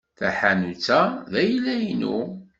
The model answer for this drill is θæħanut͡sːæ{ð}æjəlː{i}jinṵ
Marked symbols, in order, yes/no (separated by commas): yes, no